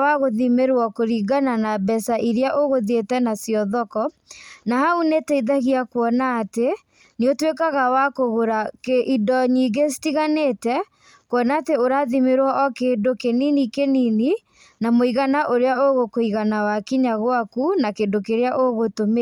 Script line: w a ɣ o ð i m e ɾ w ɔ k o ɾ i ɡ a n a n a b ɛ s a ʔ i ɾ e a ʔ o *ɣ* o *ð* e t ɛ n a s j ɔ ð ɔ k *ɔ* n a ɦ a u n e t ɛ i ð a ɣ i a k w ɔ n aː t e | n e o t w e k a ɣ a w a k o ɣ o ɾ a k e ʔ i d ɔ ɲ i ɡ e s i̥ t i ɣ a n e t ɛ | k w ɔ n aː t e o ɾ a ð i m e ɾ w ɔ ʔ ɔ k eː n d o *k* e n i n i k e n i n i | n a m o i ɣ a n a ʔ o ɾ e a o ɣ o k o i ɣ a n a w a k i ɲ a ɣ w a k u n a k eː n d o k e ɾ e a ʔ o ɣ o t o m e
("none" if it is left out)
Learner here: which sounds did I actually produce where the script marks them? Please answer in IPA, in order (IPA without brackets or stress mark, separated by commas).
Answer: ɣ, ð, ɔ, k